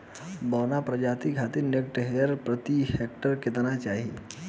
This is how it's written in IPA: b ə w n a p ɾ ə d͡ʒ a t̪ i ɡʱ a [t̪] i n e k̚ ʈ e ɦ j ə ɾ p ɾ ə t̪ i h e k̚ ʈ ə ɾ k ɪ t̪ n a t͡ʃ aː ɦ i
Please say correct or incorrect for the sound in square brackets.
correct